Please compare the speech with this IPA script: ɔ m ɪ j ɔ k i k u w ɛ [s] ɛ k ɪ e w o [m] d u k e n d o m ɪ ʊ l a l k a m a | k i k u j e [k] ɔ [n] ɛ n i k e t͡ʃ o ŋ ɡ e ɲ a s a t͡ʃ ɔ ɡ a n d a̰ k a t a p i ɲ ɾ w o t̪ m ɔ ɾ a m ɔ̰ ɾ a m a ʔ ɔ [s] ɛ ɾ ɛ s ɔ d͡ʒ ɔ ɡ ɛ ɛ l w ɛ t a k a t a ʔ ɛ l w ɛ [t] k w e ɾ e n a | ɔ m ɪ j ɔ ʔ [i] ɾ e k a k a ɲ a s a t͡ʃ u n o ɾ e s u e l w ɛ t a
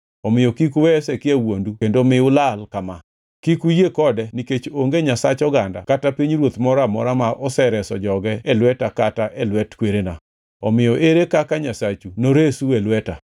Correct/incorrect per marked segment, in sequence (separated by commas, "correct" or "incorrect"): correct, incorrect, correct, incorrect, correct, correct, incorrect